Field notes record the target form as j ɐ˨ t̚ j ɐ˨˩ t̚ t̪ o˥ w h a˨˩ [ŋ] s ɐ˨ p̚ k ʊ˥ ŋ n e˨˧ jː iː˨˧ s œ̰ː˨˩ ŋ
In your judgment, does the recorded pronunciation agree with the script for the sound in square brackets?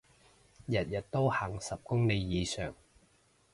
yes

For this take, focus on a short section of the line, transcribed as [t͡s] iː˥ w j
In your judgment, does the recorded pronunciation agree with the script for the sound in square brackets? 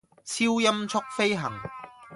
no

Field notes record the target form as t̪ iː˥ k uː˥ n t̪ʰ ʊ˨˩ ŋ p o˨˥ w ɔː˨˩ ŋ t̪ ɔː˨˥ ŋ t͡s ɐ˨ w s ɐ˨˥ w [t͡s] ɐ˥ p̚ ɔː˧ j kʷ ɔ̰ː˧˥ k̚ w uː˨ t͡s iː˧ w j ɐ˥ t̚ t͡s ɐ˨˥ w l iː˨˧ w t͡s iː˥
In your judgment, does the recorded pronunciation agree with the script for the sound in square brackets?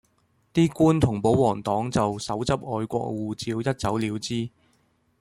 yes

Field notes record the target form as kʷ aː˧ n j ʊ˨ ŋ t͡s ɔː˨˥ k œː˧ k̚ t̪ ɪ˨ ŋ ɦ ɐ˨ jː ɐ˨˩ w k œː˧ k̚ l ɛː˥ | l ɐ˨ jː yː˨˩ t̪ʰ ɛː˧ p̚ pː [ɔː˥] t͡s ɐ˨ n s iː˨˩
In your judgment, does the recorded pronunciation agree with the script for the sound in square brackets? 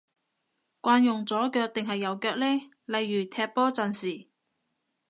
yes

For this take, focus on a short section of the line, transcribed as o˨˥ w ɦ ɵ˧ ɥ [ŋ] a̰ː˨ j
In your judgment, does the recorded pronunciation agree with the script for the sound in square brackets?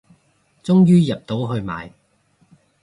no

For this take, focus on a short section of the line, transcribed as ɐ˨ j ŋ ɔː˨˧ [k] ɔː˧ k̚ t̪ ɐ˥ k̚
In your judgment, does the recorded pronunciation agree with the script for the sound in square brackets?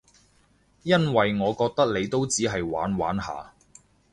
yes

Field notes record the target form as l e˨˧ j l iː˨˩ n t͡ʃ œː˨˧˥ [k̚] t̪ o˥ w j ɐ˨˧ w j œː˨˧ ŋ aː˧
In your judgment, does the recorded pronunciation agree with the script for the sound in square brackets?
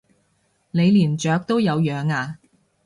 yes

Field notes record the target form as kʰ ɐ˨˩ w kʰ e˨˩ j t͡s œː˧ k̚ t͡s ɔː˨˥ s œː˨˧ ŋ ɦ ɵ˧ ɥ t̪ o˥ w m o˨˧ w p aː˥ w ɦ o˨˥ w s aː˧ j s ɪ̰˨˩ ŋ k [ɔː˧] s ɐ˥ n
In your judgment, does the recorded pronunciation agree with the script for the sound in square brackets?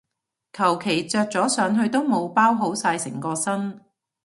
yes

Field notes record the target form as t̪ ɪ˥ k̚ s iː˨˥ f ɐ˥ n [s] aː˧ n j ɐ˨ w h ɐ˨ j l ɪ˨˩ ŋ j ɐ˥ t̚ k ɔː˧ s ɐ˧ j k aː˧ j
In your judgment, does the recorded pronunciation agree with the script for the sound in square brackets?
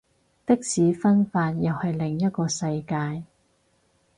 no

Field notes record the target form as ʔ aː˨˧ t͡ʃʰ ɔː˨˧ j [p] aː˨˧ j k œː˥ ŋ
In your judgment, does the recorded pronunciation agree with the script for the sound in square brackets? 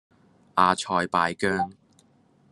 yes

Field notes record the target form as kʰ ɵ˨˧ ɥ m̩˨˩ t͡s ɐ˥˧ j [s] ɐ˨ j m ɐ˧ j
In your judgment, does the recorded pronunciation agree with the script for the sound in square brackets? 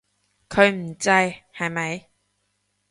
no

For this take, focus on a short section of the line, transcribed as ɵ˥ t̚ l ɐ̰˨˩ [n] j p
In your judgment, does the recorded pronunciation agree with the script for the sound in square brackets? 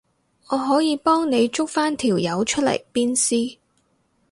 no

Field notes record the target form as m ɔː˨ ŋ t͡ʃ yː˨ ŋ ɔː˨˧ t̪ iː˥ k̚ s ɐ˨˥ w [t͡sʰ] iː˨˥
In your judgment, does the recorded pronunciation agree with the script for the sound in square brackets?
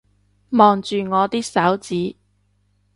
no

